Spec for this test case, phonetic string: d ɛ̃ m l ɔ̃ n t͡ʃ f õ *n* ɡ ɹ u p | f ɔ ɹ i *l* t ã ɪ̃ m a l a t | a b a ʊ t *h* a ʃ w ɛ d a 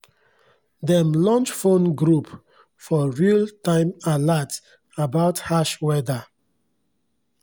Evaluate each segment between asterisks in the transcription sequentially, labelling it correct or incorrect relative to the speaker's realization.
correct, correct, correct

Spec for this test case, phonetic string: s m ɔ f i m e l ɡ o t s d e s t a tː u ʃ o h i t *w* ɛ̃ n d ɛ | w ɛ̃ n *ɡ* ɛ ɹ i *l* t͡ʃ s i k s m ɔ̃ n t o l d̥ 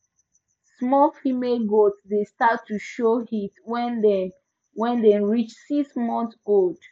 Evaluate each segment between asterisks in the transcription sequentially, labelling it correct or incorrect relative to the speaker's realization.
correct, incorrect, incorrect

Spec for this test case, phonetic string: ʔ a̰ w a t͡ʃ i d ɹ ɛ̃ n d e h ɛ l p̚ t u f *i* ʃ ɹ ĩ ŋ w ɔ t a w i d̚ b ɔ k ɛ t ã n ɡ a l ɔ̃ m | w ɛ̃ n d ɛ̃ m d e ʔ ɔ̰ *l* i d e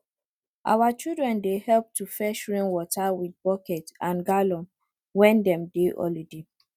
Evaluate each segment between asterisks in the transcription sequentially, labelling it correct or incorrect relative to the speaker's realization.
incorrect, correct

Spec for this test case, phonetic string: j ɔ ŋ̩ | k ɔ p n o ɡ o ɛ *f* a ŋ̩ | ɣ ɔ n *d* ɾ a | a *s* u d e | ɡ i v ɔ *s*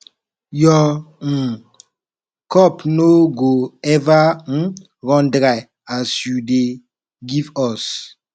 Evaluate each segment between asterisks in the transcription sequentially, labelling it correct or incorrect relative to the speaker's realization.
incorrect, correct, correct, correct

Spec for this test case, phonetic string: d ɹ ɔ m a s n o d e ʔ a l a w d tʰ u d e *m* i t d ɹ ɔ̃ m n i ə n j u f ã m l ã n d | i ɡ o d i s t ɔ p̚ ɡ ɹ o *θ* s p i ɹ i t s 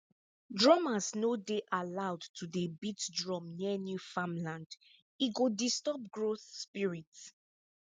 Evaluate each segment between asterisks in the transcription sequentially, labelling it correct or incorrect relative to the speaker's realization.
incorrect, correct

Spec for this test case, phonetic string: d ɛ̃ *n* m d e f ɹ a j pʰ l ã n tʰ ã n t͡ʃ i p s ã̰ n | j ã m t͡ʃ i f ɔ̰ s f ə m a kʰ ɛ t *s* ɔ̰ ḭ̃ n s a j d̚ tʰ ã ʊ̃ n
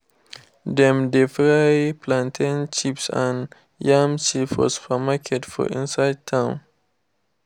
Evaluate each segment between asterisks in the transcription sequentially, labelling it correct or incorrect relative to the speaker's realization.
incorrect, incorrect

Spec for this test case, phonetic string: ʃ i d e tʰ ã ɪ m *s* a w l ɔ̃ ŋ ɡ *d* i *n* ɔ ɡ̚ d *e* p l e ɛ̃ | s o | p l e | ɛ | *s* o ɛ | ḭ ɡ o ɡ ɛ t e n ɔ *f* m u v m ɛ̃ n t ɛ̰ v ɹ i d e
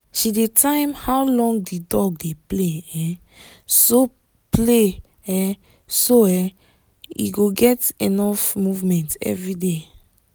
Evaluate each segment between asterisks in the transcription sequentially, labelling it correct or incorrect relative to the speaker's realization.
incorrect, correct, incorrect, correct, correct, correct

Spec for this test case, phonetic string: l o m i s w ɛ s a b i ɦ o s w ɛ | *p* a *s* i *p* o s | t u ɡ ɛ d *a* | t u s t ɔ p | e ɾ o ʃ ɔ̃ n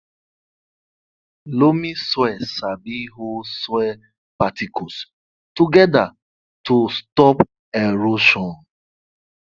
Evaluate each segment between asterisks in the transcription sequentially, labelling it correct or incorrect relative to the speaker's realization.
correct, incorrect, incorrect, correct

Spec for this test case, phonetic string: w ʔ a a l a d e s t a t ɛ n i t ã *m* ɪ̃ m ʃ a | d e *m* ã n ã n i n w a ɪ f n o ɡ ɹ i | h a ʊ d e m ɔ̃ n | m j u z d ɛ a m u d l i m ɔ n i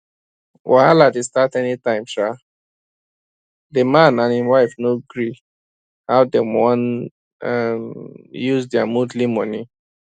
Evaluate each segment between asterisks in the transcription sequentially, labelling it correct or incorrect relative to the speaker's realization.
incorrect, correct

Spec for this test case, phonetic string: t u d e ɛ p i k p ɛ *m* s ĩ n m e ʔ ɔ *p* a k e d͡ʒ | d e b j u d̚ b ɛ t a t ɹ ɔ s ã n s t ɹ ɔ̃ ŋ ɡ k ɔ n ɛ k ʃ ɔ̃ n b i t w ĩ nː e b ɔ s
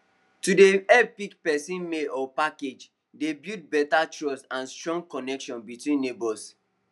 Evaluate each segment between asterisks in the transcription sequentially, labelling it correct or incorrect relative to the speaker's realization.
incorrect, correct

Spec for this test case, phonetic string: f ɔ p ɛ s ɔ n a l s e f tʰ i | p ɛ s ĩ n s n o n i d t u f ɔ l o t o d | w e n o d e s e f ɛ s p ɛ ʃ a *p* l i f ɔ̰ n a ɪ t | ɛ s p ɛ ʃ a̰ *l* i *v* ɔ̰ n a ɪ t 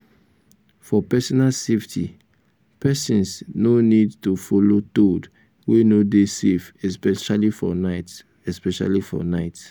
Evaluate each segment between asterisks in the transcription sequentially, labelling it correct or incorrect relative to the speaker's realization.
incorrect, correct, incorrect

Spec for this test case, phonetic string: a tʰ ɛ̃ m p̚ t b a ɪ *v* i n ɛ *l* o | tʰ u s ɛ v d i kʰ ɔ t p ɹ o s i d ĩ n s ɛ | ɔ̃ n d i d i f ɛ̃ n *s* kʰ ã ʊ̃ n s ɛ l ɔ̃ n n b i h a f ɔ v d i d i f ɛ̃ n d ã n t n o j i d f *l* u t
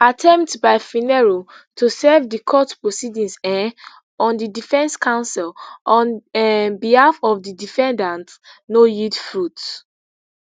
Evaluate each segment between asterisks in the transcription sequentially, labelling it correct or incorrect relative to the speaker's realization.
incorrect, incorrect, correct, incorrect

